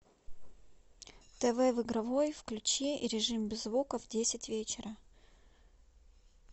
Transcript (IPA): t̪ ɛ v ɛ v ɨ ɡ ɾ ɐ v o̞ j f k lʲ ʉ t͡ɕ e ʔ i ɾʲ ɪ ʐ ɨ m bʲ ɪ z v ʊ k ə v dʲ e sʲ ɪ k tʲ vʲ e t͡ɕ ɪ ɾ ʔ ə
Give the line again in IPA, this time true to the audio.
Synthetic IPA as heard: t̪ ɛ v ɛ v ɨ ɡ ɾ ɐ v o̞ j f k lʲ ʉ t͡ɕ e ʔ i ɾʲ ɪ ʐ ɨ m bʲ ɪ z v u k ə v dʲ e sʲ ɪ tʲ vʲ e t͡ɕ ɪ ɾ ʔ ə